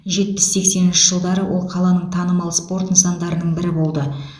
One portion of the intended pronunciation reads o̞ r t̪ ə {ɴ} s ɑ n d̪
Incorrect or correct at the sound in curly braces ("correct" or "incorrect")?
incorrect